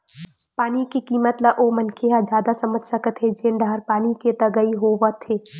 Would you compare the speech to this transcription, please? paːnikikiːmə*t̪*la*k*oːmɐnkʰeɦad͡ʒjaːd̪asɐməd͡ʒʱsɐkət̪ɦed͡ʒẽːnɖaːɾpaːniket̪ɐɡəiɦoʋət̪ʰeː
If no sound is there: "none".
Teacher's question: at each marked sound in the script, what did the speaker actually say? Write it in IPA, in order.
t̪, ʔ

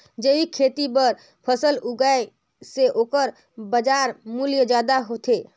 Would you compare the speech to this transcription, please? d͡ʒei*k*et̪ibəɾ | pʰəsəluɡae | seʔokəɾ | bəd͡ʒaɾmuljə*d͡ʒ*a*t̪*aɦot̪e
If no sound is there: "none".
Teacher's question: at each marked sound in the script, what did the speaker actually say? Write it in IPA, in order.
kʰ, d͡ʒ, d̪

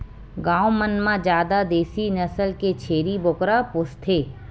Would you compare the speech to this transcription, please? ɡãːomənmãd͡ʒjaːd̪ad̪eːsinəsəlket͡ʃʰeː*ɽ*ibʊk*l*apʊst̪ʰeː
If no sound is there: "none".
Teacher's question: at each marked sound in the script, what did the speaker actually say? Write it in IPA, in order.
ɾ, ɾ

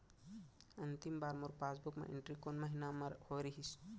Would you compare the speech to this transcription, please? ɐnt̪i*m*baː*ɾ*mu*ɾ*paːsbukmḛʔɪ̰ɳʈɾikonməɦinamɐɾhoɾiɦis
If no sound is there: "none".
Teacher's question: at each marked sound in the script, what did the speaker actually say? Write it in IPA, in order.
m, ɾ, ɾ

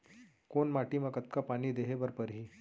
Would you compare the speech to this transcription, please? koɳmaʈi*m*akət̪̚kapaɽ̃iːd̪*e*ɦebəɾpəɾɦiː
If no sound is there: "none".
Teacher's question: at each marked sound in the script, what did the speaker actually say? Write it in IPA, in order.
m, e

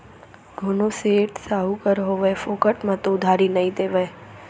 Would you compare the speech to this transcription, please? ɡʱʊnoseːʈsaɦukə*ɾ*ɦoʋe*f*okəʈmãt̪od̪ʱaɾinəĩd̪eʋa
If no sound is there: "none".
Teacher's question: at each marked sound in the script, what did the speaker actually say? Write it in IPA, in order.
ɾ, f

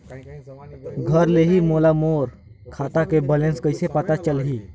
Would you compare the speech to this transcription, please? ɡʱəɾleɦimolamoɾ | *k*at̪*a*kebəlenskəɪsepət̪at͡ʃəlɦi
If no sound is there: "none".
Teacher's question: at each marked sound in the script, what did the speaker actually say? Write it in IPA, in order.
kʰ, a

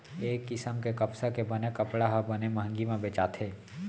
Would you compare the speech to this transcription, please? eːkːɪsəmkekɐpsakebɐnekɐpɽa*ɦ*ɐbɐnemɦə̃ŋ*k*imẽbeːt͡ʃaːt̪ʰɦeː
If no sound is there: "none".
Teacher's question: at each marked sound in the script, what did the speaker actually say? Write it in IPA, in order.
ɦ, ɡ

